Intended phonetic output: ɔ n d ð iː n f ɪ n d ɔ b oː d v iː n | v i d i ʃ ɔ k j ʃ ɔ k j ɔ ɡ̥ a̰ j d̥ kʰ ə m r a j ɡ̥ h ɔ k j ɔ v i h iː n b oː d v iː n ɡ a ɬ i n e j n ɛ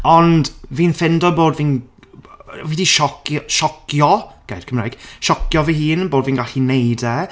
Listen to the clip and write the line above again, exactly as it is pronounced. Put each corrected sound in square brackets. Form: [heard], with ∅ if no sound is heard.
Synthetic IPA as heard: ɔ n d [v] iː n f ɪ n d ɔ b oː d v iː n | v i d i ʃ ɔ k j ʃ ɔ k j ɔ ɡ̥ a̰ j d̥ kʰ ə m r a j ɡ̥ [ʃ] ɔ k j ɔ v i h iː n b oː d v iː n ɡ a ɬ i n e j [d] ɛ